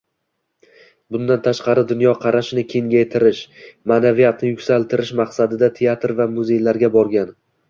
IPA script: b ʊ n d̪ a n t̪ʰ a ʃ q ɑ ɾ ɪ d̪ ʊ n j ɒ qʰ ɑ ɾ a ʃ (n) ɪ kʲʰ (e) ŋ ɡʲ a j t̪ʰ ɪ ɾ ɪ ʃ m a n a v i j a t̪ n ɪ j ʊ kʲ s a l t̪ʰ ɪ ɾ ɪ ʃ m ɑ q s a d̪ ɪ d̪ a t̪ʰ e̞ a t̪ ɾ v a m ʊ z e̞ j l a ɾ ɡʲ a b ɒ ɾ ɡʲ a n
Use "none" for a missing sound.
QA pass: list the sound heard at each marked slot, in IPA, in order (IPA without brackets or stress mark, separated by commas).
n, e